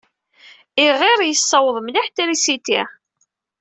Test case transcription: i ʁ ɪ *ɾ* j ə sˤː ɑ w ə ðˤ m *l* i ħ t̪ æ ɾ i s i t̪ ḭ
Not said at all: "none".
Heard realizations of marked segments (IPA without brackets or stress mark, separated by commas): ɾ, l